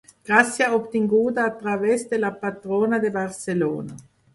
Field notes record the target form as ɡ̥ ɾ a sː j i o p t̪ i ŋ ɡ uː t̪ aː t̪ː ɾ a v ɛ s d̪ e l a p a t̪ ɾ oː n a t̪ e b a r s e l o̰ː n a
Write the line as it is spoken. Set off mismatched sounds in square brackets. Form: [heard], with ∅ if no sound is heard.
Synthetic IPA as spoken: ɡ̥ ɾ a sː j [a] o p t̪ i ŋ ɡ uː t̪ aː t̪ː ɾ a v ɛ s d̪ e l a p a t̪ ɾ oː n a [d̪] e b a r s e l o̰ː n a